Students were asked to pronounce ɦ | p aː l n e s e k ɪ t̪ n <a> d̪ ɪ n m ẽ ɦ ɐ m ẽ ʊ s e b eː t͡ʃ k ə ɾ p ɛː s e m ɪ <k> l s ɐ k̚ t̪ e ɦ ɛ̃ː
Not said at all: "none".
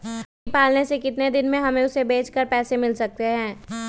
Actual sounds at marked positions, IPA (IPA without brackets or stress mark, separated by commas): e, none